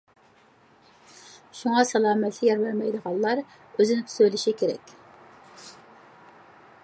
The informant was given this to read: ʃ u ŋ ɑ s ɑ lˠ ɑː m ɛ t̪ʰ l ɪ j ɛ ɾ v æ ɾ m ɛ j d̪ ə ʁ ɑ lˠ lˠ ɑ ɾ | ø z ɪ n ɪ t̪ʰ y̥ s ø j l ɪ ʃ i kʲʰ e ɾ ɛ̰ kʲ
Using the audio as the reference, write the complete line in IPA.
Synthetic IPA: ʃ u ŋ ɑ s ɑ lˠ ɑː m ɛ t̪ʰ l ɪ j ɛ ɾ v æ ɾ m ɛ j d̪ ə ʁ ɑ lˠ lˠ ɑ ɾ | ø z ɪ n ɪ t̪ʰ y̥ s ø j l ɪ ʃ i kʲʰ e ɾ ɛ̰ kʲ